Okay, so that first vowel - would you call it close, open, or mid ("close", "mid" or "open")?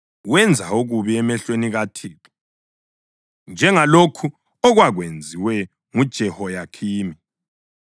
mid